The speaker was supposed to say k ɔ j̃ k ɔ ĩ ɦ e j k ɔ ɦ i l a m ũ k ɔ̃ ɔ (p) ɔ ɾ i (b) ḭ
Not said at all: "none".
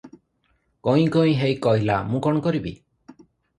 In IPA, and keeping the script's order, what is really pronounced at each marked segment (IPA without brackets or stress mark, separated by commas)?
k, b